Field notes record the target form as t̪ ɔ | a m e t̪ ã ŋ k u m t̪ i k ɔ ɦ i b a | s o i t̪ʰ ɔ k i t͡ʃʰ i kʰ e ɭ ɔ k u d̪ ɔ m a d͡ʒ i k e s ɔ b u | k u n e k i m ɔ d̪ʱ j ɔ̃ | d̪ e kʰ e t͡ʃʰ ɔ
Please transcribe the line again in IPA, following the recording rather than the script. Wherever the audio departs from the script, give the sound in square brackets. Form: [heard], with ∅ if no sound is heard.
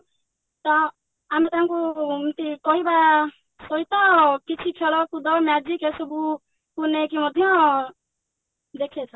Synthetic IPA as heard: t̪ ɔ | a m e t̪ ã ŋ k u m t̪ i k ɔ ɦ i b a | s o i [t̪] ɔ k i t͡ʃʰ i kʰ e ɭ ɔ k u d̪ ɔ m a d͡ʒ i k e s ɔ b u | k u n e k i m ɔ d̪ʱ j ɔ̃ | d̪ e kʰ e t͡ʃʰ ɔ